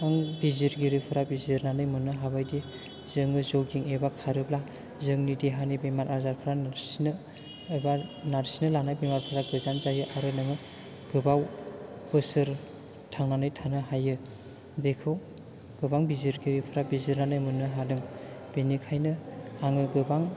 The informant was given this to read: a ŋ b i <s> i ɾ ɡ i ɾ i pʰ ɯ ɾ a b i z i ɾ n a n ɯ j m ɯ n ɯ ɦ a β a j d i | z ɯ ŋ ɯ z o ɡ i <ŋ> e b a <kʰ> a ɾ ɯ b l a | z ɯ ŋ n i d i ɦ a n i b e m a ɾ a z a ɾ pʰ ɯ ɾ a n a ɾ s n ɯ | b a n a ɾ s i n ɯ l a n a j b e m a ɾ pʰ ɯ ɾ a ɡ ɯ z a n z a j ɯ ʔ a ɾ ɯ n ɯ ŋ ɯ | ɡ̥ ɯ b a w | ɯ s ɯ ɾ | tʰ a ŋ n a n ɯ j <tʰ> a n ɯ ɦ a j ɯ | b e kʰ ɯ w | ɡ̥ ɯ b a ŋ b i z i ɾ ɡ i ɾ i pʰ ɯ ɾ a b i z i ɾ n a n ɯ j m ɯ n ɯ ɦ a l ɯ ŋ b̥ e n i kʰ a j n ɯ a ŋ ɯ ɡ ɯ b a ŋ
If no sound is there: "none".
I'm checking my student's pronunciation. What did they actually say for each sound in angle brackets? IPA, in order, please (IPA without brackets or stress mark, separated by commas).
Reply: z, ŋ, kʰ, tʰ